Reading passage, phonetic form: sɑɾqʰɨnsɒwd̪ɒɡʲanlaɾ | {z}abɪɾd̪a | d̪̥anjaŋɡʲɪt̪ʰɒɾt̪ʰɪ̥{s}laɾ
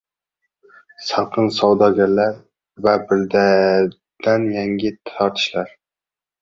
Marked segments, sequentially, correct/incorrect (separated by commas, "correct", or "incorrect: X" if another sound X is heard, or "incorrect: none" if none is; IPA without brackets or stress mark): incorrect: v, incorrect: ʃ